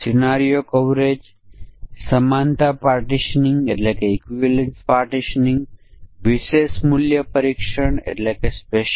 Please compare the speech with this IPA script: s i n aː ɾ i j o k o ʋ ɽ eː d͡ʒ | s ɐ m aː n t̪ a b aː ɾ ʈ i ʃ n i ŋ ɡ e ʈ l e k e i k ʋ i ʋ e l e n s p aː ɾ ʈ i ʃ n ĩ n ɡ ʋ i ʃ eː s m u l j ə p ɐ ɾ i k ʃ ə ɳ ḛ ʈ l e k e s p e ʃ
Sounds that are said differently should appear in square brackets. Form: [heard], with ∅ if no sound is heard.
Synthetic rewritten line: s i n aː ɾ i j o k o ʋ [ɾ] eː d͡ʒ | s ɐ m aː n t̪ a [p] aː ɾ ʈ i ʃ n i ŋ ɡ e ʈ l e k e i k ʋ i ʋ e l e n s p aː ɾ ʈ i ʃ n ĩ [ŋ] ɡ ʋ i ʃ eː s m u l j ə p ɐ ɾ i k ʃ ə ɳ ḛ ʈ l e k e s p e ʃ

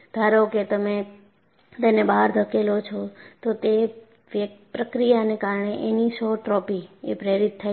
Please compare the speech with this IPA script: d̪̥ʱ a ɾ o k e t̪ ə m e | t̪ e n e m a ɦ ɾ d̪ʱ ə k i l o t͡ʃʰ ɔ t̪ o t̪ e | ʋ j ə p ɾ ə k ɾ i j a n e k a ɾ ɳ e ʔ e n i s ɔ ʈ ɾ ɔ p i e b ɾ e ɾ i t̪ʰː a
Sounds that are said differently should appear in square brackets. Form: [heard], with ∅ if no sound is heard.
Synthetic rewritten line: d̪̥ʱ a ɾ o k e t̪ ə m e | t̪ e n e [b] a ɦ ɾ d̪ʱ ə k [e] l o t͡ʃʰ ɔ t̪ o t̪ e | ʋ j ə p ɾ ə k ɾ i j a n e k a ɾ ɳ e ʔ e n i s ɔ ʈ ɾ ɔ p i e [p] ɾ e ɾ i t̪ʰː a

